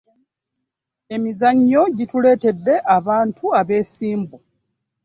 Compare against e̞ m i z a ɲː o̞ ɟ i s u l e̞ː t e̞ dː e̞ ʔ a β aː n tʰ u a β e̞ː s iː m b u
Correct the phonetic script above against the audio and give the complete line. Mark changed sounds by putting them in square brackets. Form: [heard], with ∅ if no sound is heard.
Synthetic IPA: e̞ m i z a ɲː o̞ ɟ i [t] u l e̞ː t e̞ dː e̞ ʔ a β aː n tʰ u a β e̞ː s iː m b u